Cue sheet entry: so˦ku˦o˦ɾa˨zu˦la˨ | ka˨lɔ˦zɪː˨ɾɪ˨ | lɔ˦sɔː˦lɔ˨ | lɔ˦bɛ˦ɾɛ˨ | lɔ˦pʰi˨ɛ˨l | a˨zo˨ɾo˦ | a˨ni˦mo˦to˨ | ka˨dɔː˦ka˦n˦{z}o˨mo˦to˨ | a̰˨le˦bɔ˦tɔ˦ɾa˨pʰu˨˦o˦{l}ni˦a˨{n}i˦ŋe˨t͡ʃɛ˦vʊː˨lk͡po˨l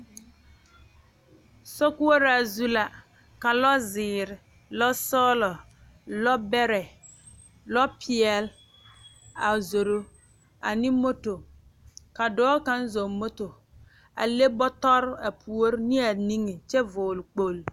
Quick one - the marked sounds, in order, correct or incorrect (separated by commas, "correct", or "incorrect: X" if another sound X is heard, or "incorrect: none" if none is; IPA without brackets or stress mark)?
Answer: correct, incorrect: ɾ, correct